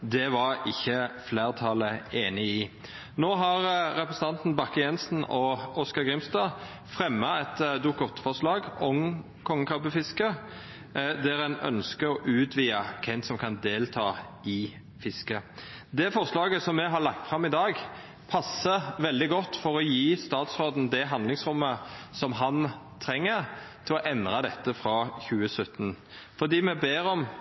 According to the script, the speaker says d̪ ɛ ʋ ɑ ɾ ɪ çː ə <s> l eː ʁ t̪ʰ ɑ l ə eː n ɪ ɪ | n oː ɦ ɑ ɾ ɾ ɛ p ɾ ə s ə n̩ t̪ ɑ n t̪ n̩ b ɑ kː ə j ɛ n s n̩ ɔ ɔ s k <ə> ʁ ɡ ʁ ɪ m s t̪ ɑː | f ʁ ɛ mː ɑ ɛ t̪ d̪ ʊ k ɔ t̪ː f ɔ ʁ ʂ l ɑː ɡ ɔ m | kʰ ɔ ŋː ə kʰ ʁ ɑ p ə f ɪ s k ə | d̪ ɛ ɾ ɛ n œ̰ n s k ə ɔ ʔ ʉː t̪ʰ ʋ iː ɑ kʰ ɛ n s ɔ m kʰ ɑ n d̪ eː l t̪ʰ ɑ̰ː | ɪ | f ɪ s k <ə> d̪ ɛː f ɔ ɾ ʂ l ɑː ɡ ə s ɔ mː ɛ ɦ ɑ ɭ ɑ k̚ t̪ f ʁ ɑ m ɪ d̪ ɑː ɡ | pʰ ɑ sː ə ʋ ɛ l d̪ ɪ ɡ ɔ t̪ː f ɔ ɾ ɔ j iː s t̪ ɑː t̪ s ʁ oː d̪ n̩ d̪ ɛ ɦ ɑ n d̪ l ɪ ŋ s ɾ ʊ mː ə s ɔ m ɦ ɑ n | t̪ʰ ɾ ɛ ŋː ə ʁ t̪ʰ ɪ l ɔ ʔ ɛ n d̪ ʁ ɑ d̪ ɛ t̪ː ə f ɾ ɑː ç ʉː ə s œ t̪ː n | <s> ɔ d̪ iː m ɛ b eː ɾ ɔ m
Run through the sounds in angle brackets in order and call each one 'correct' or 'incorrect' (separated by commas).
incorrect, incorrect, correct, incorrect